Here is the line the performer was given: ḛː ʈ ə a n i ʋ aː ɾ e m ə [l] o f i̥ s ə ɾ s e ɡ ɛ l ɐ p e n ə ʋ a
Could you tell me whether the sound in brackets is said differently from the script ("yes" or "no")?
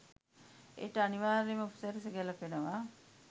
yes